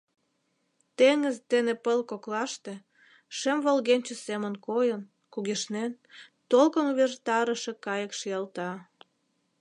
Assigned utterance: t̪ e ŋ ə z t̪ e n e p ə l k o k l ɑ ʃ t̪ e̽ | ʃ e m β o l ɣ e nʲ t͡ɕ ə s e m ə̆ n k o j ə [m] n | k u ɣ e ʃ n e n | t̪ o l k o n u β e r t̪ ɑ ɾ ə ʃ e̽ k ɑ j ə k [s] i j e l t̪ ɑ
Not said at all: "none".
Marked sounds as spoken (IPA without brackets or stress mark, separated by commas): none, ʃ